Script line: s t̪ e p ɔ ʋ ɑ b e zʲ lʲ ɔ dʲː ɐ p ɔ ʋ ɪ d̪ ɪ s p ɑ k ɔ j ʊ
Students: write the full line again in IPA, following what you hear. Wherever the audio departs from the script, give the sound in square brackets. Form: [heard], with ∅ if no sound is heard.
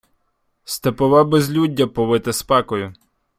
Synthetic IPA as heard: s t̪ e p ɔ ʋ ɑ b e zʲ lʲ [u] dʲː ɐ p ɔ ʋ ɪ [t̪] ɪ s p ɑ k ɔ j ʊ